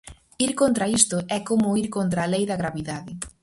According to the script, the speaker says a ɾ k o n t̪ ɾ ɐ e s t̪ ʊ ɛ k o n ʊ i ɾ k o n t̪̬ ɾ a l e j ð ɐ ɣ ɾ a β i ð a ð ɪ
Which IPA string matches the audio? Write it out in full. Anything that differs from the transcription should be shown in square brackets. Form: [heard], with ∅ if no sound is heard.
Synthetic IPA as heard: [i] ɾ k o n t̪ ɾ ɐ [i] s t̪ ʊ ɛ k o [m] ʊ i ɾ k o n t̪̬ ɾ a l e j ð ɐ ɣ ɾ a β i ð a ð ɪ